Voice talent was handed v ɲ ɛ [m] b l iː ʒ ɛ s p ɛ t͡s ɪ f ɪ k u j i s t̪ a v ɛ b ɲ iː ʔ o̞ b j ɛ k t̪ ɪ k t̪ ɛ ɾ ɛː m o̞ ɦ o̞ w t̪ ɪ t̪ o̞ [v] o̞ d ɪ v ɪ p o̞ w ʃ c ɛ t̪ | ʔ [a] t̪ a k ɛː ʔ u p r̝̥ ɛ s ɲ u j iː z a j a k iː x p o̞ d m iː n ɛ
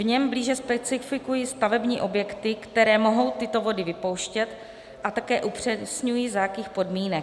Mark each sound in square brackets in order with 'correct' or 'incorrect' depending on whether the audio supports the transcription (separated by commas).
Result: correct, correct, correct